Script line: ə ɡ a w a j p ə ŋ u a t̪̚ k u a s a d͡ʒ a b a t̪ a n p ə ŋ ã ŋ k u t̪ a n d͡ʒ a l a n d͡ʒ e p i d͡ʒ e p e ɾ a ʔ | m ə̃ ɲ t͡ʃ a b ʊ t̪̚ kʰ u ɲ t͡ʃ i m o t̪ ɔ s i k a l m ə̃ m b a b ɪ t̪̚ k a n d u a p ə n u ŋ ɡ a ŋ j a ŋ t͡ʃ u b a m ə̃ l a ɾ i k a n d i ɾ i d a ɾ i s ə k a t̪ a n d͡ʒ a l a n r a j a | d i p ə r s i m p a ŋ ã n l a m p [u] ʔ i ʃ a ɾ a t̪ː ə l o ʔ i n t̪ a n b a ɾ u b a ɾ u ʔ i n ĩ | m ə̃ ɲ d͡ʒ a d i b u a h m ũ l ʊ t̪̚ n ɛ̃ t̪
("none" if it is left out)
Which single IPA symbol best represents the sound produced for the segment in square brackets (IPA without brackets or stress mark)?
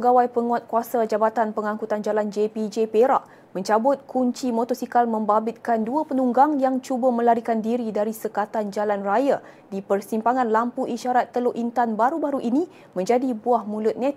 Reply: u